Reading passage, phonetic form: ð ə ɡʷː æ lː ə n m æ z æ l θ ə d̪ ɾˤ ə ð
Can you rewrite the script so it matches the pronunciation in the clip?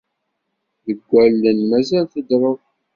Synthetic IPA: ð ə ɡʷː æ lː ə n m æ z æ l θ ə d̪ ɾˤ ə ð